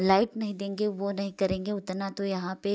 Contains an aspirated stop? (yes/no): no